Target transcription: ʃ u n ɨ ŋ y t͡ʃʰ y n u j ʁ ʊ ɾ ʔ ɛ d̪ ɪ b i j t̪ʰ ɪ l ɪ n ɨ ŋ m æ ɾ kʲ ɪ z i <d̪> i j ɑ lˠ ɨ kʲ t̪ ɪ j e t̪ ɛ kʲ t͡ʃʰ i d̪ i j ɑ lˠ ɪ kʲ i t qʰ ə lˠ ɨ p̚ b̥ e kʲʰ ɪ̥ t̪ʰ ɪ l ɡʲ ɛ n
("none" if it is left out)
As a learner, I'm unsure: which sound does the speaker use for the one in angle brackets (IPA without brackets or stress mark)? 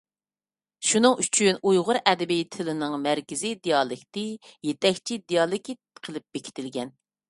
d̪